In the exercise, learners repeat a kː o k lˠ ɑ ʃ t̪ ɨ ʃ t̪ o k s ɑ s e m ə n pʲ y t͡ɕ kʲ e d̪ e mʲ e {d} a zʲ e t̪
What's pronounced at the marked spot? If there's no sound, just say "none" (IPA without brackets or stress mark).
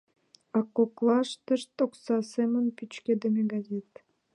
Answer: ɡ